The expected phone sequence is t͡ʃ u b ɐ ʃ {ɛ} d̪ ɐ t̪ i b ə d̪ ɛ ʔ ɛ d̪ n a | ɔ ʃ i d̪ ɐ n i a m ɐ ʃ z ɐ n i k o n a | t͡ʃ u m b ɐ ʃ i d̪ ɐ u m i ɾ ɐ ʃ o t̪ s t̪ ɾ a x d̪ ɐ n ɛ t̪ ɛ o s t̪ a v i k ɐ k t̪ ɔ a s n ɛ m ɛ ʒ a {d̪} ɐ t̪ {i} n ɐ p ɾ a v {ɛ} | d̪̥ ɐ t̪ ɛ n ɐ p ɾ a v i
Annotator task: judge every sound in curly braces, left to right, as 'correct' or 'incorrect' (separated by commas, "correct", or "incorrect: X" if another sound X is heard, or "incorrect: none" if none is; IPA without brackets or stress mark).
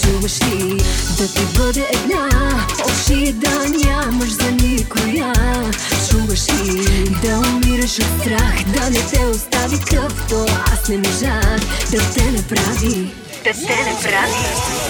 incorrect: i, correct, incorrect: ɛ, incorrect: i